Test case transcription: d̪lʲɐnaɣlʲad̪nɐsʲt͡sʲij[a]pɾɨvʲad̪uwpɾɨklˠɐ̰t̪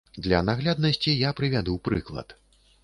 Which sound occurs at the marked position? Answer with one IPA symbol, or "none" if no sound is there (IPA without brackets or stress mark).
a